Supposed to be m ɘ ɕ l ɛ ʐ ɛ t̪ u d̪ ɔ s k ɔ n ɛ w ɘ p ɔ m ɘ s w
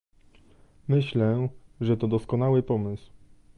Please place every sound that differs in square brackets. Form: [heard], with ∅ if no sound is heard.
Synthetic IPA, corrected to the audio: m ɘ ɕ l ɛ ʐ ɛ t̪ [ɔ] d̪ ɔ s k ɔ n [a] w ɘ p ɔ m ɘ s w